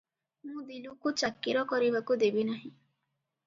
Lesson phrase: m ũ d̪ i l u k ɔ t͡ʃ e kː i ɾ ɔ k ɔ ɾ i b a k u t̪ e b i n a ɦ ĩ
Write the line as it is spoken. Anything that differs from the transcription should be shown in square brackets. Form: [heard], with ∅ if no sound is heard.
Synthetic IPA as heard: m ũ d̪ i l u k [u] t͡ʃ [a] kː i ɾ ɔ k ɔ ɾ i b a k u [d̪] e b i n a ɦ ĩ